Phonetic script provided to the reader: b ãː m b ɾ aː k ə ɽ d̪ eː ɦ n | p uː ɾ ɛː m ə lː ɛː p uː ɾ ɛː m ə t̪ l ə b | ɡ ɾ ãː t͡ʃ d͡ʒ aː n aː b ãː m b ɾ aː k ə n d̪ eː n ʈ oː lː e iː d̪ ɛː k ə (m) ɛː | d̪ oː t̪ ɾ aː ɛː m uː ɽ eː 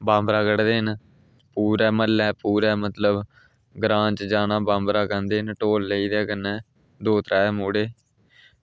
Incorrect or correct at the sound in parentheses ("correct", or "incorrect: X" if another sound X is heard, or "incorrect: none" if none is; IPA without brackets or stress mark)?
incorrect: n